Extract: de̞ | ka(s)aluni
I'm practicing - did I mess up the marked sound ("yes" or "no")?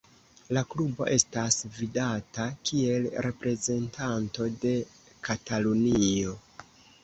yes